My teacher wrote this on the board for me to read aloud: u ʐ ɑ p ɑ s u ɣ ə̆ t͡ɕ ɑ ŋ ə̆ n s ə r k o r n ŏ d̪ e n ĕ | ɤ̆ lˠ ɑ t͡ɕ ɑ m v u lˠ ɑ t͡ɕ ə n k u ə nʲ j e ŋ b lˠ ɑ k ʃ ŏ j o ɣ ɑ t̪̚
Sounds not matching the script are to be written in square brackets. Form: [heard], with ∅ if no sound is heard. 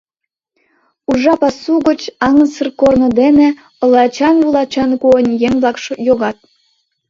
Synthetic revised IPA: u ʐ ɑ p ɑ s u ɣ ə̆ t͡ɕ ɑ ŋ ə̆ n s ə r k o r n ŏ d̪ e n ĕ | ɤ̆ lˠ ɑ t͡ɕ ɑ [n] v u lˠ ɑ t͡ɕ [ɑ] n k u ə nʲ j e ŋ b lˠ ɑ k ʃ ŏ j o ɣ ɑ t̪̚